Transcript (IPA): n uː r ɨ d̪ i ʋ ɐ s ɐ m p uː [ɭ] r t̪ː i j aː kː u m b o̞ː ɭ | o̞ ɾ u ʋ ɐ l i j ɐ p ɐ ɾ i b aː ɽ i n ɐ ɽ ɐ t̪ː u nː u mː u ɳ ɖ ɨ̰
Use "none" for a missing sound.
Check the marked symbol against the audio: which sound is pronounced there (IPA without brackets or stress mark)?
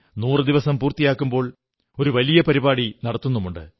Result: none